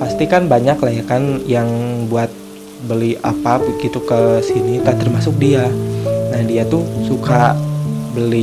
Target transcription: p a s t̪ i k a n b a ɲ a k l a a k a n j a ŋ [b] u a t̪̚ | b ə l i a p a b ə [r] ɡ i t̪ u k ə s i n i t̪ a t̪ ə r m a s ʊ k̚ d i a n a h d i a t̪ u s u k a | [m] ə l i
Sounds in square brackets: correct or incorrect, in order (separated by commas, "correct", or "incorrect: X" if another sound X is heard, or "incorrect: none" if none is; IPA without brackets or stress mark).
correct, incorrect: none, incorrect: b